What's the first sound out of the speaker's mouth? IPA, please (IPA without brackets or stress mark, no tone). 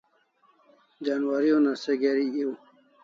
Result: d͡ʑ